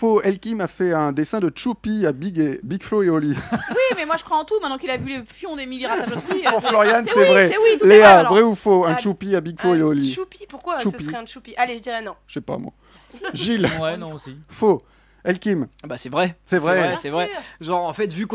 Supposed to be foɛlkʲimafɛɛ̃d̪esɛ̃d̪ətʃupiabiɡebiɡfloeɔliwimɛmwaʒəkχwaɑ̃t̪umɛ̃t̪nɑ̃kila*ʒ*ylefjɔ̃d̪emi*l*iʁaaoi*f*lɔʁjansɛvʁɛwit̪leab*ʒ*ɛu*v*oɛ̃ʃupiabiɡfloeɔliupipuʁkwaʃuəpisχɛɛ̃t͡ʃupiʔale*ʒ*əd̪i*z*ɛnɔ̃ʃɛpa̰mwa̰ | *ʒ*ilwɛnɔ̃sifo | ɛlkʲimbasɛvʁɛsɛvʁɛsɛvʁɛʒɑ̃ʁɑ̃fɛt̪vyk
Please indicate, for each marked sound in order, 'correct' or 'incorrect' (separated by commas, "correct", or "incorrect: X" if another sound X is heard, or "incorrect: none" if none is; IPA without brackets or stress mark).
incorrect: v, correct, correct, incorrect: ʁ, incorrect: f, correct, incorrect: ʁ, correct